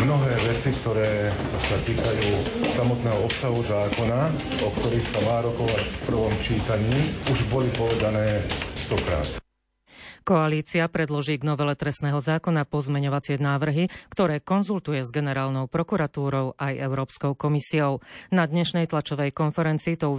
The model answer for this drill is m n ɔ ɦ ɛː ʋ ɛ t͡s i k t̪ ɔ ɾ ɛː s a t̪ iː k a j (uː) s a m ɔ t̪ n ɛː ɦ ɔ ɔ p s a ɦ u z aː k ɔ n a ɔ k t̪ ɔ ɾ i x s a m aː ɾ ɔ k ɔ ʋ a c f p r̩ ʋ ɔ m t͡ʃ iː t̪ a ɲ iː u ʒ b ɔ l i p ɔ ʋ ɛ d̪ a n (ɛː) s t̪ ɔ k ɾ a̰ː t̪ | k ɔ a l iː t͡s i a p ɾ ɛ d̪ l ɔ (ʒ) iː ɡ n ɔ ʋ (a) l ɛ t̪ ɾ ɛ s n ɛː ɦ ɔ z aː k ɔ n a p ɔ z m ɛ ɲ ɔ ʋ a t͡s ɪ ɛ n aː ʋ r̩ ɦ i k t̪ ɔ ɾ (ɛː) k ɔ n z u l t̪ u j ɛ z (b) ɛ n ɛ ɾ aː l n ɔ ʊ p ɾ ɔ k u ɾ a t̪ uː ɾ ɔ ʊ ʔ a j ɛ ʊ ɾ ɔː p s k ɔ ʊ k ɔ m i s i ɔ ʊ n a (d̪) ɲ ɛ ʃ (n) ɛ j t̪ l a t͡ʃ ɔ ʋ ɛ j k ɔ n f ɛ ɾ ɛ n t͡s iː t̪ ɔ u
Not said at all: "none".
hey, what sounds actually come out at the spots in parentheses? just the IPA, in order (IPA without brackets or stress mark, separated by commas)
uː, ɛː, ʒ, ɛ, ɛː, ɡ, d̪, n